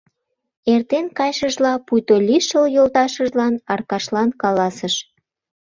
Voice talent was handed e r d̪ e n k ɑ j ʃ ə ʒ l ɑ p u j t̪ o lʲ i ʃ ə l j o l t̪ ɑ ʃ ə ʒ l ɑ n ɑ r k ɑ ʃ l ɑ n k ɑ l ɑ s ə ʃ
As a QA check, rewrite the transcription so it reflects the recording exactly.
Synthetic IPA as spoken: e r t̪ e n k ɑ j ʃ ə ʒ l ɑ p u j t̪ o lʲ i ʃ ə l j o l t̪ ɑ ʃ ə ʒ l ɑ n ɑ r k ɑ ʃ l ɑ n k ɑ l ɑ s ə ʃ